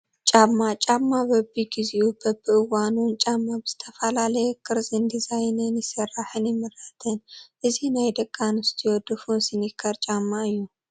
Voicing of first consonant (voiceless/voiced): voiceless